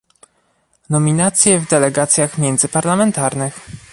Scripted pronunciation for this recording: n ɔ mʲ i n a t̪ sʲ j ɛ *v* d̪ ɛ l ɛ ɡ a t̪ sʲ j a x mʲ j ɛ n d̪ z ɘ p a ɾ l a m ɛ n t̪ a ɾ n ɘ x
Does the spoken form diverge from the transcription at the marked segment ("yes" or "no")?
no